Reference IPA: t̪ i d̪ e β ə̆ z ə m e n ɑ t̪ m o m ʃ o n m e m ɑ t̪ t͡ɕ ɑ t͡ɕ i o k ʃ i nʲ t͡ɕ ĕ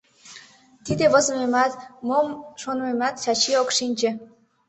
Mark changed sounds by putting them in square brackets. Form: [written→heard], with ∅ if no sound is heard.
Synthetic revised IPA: t̪ i d̪ e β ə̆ z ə m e [n→m] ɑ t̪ m o m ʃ o n m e m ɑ t̪ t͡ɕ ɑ t͡ɕ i o k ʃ i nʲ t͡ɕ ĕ